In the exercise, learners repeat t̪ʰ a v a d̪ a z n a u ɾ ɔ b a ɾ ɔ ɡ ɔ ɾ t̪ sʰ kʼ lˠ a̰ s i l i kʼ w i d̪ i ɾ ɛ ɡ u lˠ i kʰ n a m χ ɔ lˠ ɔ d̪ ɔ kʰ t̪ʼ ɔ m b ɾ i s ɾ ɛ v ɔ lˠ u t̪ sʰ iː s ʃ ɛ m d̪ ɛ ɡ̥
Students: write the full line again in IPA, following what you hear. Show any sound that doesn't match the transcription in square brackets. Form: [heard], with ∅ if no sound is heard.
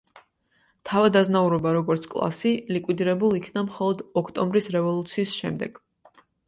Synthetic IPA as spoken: t̪ʰ a v a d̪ a z n a u ɾ ɔ b a ɾ ɔ ɡ ɔ ɾ t̪ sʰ kʼ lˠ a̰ s i l i kʼ w i d̪ i ɾ ɛ [b] u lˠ i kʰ n a m χ ɔ lˠ ɔ d̪ ɔ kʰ t̪ʼ ɔ m b ɾ i s ɾ ɛ v ɔ lˠ u t̪ sʰ iː s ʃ ɛ m d̪ ɛ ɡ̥